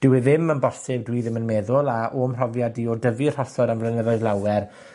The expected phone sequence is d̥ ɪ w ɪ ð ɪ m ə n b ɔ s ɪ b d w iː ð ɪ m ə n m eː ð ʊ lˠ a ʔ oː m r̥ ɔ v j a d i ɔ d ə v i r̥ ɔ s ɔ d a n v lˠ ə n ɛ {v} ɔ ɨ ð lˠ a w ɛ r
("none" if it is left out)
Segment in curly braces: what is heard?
ð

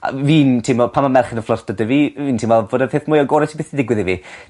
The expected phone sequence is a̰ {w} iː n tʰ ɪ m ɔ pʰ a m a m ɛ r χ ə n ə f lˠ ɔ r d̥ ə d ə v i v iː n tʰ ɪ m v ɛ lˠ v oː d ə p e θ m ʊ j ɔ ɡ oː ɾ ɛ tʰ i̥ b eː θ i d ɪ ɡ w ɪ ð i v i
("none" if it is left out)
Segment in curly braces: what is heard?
v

